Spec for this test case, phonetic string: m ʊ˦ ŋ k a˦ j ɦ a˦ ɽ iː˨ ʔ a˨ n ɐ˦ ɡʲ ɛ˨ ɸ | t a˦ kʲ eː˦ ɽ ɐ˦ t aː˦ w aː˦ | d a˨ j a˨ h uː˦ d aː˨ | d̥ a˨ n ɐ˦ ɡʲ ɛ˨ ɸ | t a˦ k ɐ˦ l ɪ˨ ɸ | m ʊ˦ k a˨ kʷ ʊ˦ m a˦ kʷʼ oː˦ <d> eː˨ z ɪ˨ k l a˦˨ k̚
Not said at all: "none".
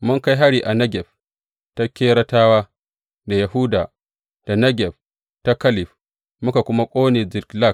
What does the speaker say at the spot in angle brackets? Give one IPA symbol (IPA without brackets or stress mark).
n